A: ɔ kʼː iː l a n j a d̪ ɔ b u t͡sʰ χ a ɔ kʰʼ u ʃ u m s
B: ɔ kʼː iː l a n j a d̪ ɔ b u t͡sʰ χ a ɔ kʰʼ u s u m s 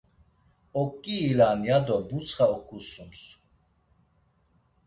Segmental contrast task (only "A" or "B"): B